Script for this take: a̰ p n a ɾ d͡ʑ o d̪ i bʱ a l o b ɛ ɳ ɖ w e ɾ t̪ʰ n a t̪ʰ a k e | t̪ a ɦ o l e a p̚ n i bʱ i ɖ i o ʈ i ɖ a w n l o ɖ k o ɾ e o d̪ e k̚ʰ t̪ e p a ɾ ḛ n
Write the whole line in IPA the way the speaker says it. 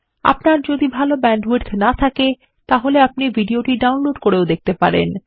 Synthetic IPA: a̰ p n a ɾ d͡ʑ o d̪ i bʱ a l o b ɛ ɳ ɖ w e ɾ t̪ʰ n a t̪ʰ a k e | t̪ a ɦ o l e a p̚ n i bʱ i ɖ i o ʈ i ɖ a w n l o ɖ k o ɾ e o d̪ e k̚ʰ t̪ e p a ɾ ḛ n